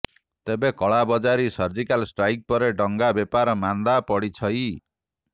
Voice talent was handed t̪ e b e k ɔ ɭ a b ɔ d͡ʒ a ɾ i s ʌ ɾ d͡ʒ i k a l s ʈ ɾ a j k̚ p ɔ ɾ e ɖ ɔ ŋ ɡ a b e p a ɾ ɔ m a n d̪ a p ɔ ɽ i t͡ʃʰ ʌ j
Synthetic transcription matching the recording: t̪ e b e k ɔ ɭ a b ɔ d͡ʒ a ɾ i s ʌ ɾ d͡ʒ i k a l s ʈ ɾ a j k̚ p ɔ ɾ e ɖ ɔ ŋ ɡ a b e p a ɾ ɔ m a n d̪ a p ɔ ɽ i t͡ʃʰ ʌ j

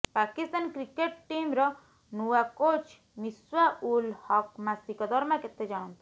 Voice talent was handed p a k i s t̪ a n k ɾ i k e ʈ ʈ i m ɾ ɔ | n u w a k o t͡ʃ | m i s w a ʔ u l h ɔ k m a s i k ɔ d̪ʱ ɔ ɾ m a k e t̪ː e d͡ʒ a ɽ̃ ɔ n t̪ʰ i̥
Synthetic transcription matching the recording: p a k i s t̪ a n k ɾ i k e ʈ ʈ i m ɾ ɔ | n u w a k o t͡ʃ | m i s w a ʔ u l h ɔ k m a s i k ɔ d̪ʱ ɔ ɾ m a k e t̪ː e d͡ʒ a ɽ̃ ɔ n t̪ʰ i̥

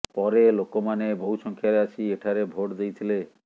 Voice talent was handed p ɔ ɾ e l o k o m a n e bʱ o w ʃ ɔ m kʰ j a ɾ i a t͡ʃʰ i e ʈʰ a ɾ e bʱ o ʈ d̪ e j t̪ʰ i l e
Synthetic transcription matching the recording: p ɔ ɾ e l o k o m a n e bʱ o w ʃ ɔ ŋ kʰ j a ɾ e a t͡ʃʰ i e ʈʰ a ɾ e bʱ o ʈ d̪ e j t̪ʰ i l e

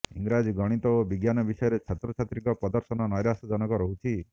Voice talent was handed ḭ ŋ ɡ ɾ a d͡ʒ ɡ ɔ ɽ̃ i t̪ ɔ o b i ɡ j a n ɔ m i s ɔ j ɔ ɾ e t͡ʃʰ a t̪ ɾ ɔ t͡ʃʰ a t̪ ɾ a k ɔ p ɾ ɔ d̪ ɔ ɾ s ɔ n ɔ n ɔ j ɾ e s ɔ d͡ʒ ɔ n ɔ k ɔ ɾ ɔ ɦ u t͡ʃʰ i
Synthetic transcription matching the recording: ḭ ŋ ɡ ɾ a d͡ʒ ɡ ɔ ɽ̃ i t̪ ɔ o b i ɡ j a n ɔ b i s ɔ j ɔ ɾ e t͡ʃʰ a t̪ ɾ ɔ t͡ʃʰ a t̪ ɾ i k ɔ p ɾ ɔ d̪ ɔ ɾ s ɔ n ɔ n ɔ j ɾ a s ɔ d͡ʒ ɔ n ɔ k ɔ ɾ ɔ ɦ u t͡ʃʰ i

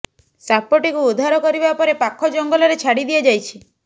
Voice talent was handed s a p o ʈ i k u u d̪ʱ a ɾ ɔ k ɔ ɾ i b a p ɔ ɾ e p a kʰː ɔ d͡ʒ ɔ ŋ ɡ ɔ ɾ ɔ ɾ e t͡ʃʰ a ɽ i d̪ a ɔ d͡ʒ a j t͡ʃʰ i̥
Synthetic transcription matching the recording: s a p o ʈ i k u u d̪ʱ a ɾ ɔ k ɔ ɾ i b a p ɔ ɾ e p a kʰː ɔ d͡ʒ ɔ ŋ ɡ ɔ l ɔ ɾ e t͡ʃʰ a ɽ i d̪ i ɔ d͡ʒ a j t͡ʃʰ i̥

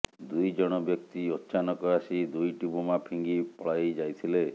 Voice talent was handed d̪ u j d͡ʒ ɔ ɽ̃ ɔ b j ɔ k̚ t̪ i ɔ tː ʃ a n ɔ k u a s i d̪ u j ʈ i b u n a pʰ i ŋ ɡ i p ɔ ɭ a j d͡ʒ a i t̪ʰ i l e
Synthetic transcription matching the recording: d̪ u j d͡ʒ ɔ ɽ̃ ɔ b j ɔ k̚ t̪ i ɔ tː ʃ a n ɔ k ɔ a s i d̪ u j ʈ i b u m a pʰ i ŋ ɡ i p ɔ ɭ a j d͡ʒ a j t̪ʰ i l e

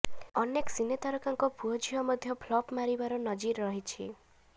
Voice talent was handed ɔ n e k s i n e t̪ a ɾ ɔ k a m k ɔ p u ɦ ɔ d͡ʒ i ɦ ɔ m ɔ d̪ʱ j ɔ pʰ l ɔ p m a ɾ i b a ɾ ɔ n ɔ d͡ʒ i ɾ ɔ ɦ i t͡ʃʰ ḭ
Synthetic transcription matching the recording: ɔ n e k s i n e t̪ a ɾ ɔ k a ŋ k ɔ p u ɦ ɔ d͡ʒ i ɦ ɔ m ɔ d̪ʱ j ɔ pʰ l ɔ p m a ɾ i b a ɾ ɔ n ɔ d͡ʒ i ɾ ɔ ɦ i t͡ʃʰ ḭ

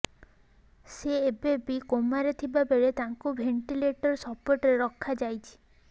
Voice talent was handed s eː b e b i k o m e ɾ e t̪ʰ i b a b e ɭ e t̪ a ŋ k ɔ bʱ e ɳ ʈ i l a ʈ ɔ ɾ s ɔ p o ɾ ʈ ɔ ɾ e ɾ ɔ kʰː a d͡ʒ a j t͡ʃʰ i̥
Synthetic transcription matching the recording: s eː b e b i k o m a ɾ e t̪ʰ i b a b e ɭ e t̪ a ŋ k u bʱ e ɳ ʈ i l e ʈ ɔ ɾ s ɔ p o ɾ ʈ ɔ ɾ e ɾ ɔ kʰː a d͡ʒ a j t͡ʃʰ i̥

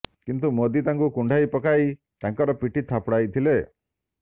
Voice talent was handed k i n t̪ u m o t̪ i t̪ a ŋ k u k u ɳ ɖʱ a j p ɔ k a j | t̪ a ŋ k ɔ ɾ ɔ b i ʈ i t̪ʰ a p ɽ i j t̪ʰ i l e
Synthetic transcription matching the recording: k i n t̪ u m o d̪ i t̪ a ŋ k u k u ɳ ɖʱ a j p ɔ k a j | t̪ a ŋ k ɔ ɾ ɔ p i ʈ i t̪ʰ a p ɽ a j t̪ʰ i l e

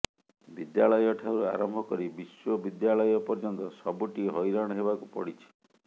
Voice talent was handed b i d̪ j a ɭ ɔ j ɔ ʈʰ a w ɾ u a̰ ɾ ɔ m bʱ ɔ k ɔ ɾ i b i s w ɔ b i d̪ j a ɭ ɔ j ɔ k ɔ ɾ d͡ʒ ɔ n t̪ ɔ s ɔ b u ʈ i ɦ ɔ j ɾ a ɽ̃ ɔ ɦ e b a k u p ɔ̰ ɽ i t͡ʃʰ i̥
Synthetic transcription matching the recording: b i d̪ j a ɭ ɔ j ɔ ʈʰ a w ɾ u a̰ ɾ ɔ m bʱ ɔ k ɔ ɾ i b i s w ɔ b i d̪ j a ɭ ɔ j ɔ p ɔ ɾ d͡ʒ ɔ n t̪ ɔ s ɔ b u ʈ i ɦ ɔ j ɾ a ɽ̃ ɔ ɦ e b a k u p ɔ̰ ɽ i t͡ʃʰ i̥

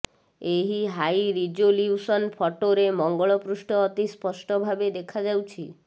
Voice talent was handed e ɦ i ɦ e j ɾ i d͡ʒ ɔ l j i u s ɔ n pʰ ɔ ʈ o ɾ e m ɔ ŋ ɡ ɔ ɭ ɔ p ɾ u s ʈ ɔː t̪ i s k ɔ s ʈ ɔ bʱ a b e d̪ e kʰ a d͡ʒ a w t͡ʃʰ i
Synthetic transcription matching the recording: e ɦ i ɦ a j ɾ i d͡ʒ o l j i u s ɔ n pʰ ɔ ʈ o ɾ e m ɔ ŋ ɡ ɔ ɭ ɔ p ɾ u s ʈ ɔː t̪ i s p ɔ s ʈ ɔ bʱ a b e d̪ e kʰ a d͡ʒ a w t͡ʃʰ i

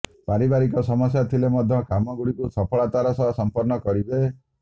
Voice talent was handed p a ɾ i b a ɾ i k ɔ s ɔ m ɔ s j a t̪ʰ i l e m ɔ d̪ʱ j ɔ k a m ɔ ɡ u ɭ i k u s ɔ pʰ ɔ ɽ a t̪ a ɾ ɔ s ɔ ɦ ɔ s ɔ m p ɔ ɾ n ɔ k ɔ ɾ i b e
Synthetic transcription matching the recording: p a ɾ i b a ɾ i k ɔ s ɔ m ɔ s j a t̪ʰ i l e m ɔ d̪ʱ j ɔ k a m ɔ ɡ u ɽ i k u s ɔ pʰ ɔ ɭ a t̪ a ɾ ɔ s ɔ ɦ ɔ s ɔ m p ɔ ɾ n ɔ k ɔ ɾ i b e

